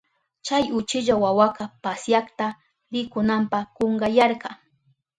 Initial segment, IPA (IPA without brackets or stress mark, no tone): t͡ʃ